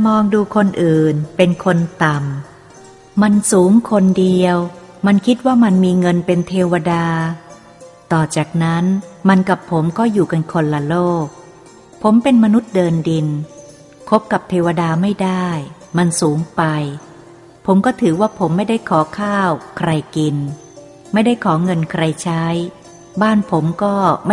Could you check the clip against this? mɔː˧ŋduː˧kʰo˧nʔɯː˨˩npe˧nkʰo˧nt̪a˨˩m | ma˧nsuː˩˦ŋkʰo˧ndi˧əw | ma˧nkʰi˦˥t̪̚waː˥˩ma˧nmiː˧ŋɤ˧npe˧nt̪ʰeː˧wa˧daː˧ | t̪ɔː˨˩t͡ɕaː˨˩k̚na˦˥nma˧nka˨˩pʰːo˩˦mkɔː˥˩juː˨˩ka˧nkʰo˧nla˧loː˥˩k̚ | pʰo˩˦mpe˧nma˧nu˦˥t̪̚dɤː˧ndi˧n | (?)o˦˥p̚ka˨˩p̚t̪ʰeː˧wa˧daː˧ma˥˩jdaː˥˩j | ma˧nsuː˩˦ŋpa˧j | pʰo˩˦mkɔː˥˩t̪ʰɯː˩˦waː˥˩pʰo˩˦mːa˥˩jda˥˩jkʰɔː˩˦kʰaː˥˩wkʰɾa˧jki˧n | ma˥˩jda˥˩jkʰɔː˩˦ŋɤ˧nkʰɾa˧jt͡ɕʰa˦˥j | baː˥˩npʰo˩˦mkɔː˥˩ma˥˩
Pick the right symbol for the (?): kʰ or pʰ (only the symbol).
kʰ